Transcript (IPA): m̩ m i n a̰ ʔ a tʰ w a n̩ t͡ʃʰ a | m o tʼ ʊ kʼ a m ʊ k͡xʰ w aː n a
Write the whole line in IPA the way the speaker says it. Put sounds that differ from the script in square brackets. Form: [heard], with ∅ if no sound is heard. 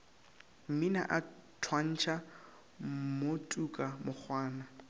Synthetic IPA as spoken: m̩ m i n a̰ ʔ a tʰ w a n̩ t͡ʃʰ a | m o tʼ [u] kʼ a m ʊ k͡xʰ w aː n a